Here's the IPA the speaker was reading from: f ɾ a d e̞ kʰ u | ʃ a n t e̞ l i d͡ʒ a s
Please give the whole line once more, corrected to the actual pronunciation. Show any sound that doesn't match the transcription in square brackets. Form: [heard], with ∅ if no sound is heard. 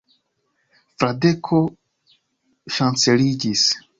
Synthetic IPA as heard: f ɾ a d e̞ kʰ [o] | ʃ a n [t͡s] e̞ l i d͡ʒ [i] s